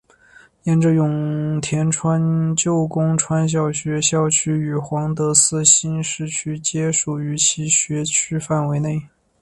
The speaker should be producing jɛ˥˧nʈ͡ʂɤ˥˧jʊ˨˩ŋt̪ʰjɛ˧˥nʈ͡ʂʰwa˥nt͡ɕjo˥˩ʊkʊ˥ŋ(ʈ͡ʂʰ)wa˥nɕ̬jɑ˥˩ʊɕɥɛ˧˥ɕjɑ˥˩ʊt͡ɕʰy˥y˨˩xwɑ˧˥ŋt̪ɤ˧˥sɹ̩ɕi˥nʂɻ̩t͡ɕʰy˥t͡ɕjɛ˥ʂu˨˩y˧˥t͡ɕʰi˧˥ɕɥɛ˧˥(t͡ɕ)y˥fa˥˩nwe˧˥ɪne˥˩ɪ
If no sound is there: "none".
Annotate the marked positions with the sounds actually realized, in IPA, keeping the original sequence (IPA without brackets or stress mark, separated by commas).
ʈ͡ʂʰ, t͡ɕʰ